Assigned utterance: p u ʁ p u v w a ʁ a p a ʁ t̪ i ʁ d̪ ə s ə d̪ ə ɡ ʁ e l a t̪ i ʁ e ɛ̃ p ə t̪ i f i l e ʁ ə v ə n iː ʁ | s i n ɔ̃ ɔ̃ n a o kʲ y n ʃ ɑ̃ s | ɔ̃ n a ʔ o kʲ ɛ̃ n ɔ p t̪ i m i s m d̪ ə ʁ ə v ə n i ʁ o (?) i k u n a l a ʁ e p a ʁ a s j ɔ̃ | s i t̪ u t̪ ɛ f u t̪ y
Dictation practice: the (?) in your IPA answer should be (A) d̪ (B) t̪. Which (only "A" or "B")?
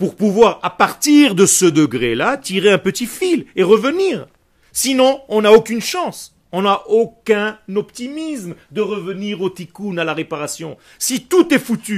B